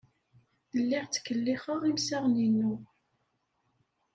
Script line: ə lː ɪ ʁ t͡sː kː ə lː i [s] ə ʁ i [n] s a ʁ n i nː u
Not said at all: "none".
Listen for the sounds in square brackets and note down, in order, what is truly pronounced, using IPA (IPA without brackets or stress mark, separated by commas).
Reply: χ, m